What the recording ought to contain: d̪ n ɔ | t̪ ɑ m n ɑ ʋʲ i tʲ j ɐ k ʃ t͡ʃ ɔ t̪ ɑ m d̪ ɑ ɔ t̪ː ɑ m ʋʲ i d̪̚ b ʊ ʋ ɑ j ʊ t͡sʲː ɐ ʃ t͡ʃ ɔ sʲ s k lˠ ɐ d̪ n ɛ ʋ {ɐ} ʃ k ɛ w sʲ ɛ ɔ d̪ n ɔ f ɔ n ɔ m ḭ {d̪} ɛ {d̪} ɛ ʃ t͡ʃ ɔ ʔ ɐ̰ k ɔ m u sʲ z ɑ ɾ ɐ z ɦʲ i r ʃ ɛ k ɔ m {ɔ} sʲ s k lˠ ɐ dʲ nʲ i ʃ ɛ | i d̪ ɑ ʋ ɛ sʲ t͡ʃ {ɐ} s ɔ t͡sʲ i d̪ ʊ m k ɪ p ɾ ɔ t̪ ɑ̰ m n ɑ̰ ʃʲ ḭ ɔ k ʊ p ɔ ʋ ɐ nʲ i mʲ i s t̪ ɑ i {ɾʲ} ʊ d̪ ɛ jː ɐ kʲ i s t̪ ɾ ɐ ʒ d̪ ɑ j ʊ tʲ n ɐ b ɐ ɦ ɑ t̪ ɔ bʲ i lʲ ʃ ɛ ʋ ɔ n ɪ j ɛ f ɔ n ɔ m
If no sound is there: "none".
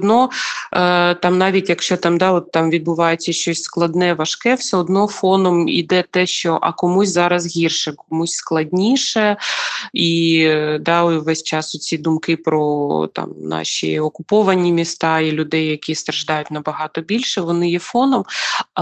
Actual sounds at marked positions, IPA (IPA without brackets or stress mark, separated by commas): ɐ, d̪, t̪, u, ɑ, lʲ